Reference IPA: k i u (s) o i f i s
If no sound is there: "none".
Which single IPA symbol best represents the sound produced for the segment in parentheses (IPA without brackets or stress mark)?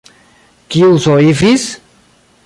s